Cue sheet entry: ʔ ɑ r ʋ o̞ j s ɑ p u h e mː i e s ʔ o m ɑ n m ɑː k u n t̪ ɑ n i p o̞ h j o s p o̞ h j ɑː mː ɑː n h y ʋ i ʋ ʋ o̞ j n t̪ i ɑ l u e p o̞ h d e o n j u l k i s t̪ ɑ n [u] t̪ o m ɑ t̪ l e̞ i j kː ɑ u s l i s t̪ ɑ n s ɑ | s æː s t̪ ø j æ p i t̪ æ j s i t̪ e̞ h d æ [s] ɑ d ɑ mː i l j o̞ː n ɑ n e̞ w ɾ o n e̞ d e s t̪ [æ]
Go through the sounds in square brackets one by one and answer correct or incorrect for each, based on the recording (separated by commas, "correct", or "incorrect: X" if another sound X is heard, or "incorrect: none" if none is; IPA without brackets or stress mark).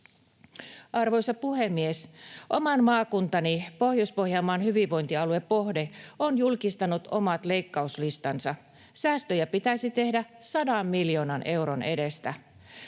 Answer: correct, correct, correct